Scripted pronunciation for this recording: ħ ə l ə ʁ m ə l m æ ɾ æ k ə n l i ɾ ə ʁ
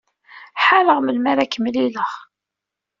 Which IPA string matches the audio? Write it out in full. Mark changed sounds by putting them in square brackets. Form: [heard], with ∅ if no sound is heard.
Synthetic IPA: ħ [a] l ə ʁ m ə l m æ ɾ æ k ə [m] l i [l] ə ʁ